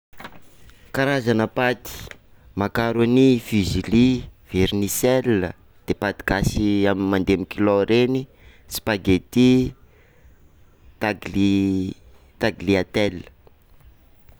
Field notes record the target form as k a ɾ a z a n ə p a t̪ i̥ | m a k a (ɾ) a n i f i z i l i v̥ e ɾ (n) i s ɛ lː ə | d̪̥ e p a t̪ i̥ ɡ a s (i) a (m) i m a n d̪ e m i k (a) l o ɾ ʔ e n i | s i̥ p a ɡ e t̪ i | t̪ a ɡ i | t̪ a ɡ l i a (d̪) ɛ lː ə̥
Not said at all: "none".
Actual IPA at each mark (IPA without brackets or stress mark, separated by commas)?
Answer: ɾ, n, i, m, i, t̪